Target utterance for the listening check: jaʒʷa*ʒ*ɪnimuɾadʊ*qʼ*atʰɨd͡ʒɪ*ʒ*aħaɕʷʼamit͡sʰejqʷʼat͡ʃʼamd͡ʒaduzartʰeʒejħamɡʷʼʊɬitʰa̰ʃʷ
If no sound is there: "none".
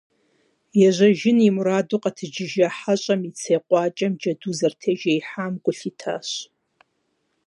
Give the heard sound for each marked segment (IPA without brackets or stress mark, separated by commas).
ʒ, qʼ, ʒ